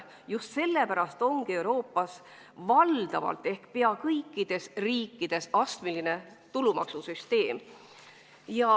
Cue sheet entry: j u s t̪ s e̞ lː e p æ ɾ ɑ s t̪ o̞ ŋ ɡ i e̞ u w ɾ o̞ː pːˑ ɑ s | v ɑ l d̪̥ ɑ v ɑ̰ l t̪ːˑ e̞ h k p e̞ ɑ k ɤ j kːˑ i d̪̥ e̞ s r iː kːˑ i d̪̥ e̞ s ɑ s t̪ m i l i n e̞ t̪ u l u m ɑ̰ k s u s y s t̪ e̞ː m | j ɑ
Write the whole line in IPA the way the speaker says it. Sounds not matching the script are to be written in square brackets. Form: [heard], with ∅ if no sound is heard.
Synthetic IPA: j u s t̪ s e̞ lː e p æ ɾ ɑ s t̪ o̞ ŋ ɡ i e̞ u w ɾ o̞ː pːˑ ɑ s | v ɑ l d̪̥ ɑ v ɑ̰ l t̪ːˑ e̞ h k p e̞ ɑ k ɤ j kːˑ i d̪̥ e̞ s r iː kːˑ i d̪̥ e̞ s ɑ s t̪ m i l i n e̞ t̪ u l u m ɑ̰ k s u s y s t̪ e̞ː m | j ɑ

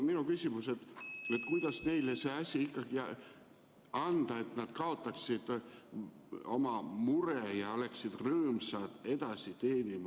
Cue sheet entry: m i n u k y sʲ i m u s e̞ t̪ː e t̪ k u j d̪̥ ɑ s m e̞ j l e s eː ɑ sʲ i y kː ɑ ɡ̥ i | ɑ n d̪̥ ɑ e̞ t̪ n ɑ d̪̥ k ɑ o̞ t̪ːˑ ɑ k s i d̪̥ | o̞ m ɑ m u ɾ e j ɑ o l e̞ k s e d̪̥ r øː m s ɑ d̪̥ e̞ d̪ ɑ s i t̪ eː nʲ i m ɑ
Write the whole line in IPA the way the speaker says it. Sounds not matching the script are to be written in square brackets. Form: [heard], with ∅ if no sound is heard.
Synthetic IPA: m i n u k y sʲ i m u s e̞ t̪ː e t̪ k u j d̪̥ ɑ s [n] e̞ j l e s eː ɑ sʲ i [i] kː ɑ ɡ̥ i | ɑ n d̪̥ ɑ e̞ t̪ n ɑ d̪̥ k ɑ o̞ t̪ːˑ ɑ k s i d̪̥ | o̞ m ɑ m u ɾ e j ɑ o l e̞ k s [i] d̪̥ r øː m s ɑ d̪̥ e̞ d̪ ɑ s i t̪ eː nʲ i m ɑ

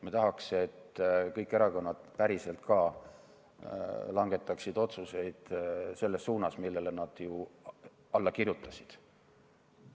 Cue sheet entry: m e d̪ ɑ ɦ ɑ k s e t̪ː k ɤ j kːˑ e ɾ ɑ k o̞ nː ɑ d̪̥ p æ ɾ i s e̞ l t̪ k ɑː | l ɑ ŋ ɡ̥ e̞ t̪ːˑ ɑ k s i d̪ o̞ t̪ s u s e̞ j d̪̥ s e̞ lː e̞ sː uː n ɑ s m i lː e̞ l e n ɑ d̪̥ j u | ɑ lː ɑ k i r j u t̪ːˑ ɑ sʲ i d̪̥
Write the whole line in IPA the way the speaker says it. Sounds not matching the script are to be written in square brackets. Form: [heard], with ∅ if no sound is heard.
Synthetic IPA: m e [t̪] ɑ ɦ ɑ k s e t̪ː k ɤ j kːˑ e ɾ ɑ k o̞ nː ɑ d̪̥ p æ ɾ i s e̞ l t̪ k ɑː | l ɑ ŋ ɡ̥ e̞ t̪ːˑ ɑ k s i d̪ o̞ t̪ s u s e̞ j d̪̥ s e̞ lː e̞ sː uː n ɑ s m i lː e̞ l e n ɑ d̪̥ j u | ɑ lː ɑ k i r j u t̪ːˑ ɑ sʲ i d̪̥

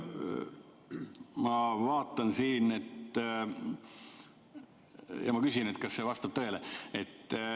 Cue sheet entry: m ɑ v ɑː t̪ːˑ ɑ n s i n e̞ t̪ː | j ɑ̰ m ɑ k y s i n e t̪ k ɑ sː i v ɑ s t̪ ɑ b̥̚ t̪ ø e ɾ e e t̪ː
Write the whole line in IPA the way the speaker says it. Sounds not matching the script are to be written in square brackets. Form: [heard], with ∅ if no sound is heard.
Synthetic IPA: m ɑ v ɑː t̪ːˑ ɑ n s [iː] n e̞ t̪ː | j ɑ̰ m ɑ k y s i n e t̪ k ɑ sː [e] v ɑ s t̪ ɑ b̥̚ t̪ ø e [l] e e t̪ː

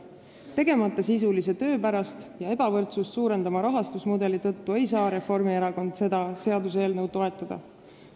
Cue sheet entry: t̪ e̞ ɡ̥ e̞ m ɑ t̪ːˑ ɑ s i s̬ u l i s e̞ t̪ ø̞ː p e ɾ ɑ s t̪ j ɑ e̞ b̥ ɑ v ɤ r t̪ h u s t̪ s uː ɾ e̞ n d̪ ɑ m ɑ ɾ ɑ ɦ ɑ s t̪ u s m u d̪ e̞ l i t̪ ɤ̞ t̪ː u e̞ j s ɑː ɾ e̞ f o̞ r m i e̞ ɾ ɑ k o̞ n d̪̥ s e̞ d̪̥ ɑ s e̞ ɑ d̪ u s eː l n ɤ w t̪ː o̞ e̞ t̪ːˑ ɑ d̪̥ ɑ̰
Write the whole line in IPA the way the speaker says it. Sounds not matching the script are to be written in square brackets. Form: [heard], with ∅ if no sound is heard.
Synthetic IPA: t̪ e̞ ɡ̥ e̞ m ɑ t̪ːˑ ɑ s i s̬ u l i s e̞ t̪ ø̞ː p [æ] ɾ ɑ s t̪ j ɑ e̞ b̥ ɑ v ɤ r t̪ [s] u s t̪ s uː ɾ e̞ n d̪ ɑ m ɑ ɾ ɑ ɦ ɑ s t̪ u s m u d̪ e̞ l i t̪ ɤ̞ t̪ː u e̞ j s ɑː ɾ e̞ f o̞ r m i e̞ ɾ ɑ k o̞ n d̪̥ s e̞ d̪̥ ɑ s e̞ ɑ d̪ u s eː l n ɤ w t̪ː o̞ e̞ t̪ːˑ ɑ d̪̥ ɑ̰

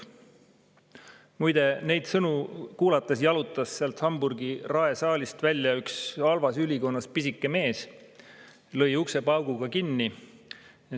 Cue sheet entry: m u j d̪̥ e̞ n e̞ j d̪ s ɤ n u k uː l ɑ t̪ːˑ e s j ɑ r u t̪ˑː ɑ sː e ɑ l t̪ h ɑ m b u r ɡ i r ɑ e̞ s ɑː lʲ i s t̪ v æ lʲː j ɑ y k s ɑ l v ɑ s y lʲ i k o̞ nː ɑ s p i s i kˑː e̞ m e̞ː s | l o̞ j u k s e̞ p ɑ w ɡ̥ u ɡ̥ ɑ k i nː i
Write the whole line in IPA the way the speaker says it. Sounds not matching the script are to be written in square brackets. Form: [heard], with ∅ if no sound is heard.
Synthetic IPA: m u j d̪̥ e̞ n e̞ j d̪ s ɤ n u k uː l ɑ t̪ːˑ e s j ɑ [l] u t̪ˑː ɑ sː e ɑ l t̪ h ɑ m b u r ɡ i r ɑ e̞ s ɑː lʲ i s t̪ v æ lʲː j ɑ y k s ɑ l v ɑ s y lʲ i k o̞ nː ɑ s p i s i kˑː e̞ m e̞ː s | l [ɤ̞] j u k s e̞ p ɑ w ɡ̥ u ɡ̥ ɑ k i nː i

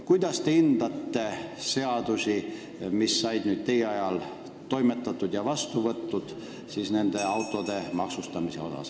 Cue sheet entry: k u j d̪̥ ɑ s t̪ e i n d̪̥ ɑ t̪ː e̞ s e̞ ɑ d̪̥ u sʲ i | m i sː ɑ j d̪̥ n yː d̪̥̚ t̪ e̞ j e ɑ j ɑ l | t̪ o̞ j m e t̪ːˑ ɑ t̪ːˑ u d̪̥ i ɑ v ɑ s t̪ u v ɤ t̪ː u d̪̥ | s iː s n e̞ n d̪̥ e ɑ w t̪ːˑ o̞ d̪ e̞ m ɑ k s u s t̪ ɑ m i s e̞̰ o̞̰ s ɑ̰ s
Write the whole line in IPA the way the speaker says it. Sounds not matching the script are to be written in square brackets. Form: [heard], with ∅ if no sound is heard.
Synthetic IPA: k u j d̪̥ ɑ s t̪ e i n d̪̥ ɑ t̪ː e̞ s e̞ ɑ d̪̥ u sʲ i | m i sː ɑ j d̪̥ n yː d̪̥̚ t̪ e̞ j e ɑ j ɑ l | t̪ o̞ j m e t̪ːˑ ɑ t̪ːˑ u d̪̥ [j] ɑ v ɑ s t̪ u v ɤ t̪ː u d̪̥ | s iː s n e̞ n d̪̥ e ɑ w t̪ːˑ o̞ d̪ e̞ m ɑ k s u s t̪ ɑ m i s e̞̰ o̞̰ s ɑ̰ s

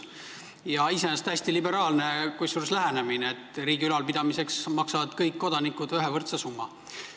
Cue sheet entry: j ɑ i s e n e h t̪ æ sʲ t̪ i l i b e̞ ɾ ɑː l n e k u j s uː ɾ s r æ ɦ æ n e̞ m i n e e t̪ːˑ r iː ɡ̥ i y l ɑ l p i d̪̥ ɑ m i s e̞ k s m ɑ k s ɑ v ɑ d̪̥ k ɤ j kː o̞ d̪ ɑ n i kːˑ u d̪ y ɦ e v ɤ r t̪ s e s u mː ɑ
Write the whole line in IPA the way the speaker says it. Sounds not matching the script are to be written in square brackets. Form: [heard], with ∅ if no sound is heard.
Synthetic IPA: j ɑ i s e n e [s] t̪ æ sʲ t̪ i l i b e̞ ɾ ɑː l n e k u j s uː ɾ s [l] æ ɦ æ n e̞ m i n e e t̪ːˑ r iː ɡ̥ i y l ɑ l p i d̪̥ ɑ m i s e̞ k s m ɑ k s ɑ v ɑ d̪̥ k ɤ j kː o̞ d̪ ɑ n i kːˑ u d̪ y ɦ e v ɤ r t̪ s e s u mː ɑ

